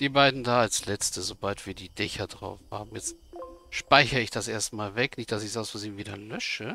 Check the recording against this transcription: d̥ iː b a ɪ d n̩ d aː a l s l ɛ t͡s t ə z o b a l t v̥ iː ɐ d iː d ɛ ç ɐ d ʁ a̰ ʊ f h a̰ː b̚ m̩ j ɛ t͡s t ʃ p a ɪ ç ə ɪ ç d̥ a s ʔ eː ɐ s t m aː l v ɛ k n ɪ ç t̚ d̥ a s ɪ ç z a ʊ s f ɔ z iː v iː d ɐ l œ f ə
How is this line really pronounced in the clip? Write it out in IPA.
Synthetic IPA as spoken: d̥ iː b a ɪ d n̩ d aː a l s l ɛ t͡s t ə z o b a l t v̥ iː ɐ d iː d ɛ ç ɐ d ʁ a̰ ʊ f h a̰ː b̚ m̩ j ɛ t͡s t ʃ p a ɪ ç ə ɪ ç d̥ a s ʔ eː ɐ s t m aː l v ɛ k n ɪ ç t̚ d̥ a s ɪ ç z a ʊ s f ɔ z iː v iː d ɐ l œ ʃ ə